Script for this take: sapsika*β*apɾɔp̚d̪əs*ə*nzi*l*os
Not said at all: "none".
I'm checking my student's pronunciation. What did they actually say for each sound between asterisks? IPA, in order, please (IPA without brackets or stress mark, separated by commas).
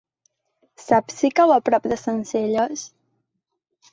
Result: w, ə, ʎ